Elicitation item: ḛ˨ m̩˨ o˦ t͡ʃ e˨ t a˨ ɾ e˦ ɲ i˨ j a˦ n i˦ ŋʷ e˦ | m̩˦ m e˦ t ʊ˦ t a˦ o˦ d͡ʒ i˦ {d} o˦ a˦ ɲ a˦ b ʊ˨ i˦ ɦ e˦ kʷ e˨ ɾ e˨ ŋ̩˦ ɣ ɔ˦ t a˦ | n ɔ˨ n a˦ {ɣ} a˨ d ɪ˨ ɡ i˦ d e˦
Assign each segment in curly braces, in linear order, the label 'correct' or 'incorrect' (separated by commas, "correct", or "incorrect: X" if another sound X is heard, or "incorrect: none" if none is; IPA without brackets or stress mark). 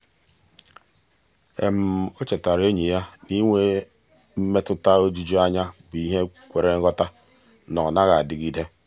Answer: incorrect: d͡ʒ, correct